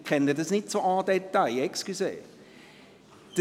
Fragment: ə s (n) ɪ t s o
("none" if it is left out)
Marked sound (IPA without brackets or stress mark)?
n